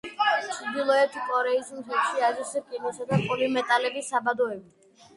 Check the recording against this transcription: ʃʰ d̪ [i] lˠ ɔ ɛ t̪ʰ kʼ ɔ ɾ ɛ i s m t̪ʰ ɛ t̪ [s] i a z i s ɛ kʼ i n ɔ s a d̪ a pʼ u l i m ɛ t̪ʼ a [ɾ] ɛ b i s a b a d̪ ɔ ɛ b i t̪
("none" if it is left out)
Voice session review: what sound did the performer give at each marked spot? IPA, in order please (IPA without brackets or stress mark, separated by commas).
i, ʃ, l